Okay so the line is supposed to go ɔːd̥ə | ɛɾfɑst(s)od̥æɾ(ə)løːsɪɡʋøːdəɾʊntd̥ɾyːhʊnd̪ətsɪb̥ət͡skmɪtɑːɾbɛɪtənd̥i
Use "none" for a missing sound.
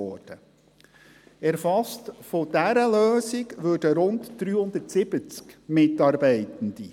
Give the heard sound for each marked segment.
f, ə

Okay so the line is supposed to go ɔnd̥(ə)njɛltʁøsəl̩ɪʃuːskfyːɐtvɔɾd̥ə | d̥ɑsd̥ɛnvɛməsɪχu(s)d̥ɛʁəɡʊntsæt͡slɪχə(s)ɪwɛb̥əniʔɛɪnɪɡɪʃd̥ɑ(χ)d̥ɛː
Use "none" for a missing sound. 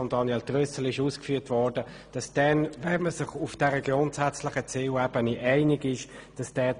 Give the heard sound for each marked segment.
ɑ, f, t͡s, s

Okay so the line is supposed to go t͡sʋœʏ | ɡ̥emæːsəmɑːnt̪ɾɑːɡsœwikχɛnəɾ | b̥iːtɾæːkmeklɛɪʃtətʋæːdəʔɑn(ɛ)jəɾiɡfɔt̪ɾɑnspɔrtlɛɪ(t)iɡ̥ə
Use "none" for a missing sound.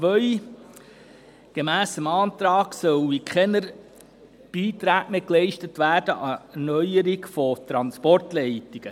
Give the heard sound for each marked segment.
œ, t

